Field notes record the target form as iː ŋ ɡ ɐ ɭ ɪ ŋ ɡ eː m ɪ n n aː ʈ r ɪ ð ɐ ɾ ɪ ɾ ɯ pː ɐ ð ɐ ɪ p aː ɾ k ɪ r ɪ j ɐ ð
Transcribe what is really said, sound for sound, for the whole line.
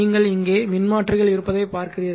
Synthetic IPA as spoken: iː ŋ ɡ ɐ ɭ ɪ ŋ ɡ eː m ɪ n m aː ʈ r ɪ ɣ ɐ ɭ ɪ ɾ ɯ pː ɐ ð ɐ ɪ p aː ɾ k ɪ r ɪ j ɐ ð